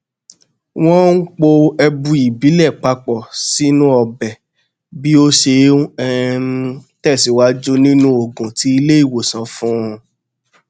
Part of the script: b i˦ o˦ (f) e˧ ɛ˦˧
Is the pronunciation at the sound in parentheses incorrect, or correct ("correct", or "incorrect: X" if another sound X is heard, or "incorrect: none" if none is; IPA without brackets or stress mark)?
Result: incorrect: ʃ